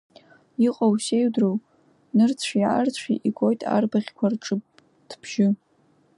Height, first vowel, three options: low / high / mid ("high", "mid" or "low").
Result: high